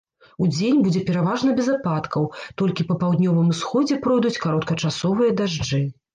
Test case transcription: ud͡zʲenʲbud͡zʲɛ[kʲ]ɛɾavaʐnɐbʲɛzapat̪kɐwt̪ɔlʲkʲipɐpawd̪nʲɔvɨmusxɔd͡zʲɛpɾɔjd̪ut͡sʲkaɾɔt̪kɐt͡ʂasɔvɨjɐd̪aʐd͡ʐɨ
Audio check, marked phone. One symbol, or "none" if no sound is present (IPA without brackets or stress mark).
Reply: pʲ